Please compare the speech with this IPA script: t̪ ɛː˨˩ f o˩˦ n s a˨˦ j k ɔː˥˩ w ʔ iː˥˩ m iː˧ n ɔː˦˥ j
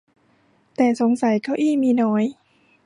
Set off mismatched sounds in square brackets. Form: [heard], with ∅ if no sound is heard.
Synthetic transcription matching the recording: t̪ ɛː˨˩ [s] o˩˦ [ŋ] s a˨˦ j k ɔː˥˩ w ʔ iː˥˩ m iː˧ n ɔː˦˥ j